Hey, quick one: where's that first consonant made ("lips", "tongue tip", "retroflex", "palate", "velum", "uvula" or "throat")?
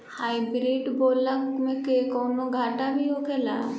throat